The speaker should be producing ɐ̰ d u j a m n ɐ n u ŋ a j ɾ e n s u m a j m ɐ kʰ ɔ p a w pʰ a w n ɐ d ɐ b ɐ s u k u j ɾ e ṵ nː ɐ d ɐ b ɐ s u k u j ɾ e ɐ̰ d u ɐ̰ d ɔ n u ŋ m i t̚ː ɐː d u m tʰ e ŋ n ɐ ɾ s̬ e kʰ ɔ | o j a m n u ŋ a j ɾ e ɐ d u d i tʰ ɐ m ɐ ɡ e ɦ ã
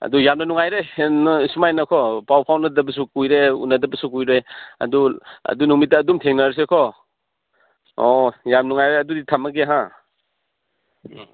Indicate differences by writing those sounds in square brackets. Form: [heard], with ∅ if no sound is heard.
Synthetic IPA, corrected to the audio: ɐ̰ d u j a m n ɐ n u ŋ a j ɾ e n s u m a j [n] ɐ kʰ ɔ p a w pʰ a w n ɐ d ɐ b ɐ s u k u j ɾ e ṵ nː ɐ d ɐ b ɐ s u k u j ɾ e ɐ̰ d u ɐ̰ d [u] n u ŋ m i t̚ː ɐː d u m tʰ e ŋ n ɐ ɾ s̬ e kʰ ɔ | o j a m n u ŋ a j ɾ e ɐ d u d i tʰ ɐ m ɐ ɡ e ɦ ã

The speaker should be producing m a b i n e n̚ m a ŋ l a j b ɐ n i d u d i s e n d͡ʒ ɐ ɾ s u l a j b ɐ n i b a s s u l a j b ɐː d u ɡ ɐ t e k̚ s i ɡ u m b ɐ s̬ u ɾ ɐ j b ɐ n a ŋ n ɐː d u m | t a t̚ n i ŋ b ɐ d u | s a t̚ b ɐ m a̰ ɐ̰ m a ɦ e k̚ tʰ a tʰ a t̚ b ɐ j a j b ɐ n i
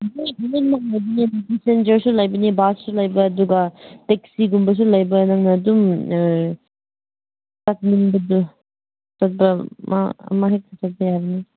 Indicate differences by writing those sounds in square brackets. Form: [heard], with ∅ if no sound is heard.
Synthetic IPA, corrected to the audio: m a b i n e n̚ m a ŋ l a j b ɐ n i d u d i s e n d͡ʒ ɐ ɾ s u l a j b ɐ n i b a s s u l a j b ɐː d u ɡ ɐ t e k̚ s i ɡ u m b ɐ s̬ u [l] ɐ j b ɐ n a ŋ n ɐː d u m | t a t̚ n i ŋ b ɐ d u | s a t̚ b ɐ m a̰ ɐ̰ m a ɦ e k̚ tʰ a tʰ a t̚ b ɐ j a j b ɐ n i

